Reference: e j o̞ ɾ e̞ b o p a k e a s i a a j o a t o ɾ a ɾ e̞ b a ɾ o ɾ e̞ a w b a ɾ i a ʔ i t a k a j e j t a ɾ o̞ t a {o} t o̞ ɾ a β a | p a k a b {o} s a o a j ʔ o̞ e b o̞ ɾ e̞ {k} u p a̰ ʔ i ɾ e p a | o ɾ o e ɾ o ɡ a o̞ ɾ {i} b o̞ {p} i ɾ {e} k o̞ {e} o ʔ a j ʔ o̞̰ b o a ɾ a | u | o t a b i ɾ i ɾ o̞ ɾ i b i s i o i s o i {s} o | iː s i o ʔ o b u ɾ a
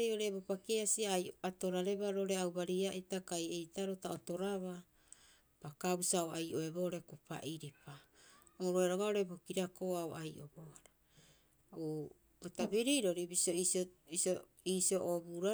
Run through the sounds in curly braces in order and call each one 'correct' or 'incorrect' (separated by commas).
correct, incorrect, correct, incorrect, incorrect, incorrect, incorrect, correct